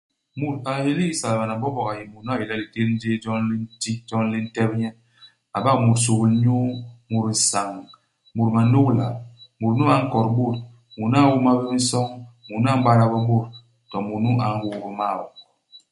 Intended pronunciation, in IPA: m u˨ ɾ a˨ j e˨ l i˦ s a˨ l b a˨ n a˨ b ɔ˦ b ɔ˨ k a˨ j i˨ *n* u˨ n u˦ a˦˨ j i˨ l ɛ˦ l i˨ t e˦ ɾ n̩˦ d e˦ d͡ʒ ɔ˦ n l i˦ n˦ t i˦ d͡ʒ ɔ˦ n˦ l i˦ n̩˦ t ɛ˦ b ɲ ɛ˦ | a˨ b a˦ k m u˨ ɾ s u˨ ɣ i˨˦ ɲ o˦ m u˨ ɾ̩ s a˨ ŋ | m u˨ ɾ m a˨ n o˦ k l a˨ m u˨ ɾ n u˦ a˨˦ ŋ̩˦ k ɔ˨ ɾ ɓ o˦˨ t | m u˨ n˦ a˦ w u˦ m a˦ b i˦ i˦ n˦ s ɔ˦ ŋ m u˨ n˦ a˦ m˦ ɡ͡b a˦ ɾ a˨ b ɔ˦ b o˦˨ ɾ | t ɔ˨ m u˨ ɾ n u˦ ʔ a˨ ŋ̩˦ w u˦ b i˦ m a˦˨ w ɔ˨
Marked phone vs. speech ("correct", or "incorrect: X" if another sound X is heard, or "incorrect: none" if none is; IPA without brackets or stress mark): incorrect: m